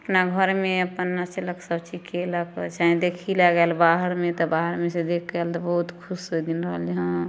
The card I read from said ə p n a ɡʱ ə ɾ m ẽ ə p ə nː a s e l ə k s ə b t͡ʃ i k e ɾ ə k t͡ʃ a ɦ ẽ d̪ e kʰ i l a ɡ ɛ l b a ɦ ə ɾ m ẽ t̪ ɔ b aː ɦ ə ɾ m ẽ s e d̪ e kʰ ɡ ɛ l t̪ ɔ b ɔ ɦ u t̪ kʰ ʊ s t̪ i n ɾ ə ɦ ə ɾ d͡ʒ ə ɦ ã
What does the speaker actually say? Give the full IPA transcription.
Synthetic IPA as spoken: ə p n a ɡʱ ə ɾ m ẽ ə p ə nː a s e l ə k s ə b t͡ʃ i k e l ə k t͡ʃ a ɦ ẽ d̪ e kʰ i l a ɡ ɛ l b a ɦ ə ɾ m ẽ t̪ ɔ b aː ɦ ə ɾ m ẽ s e d̪ e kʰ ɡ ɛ l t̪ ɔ b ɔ ɦ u t̪ kʰ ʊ s d̪ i n ɾ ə ɦ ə l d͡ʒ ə ɦ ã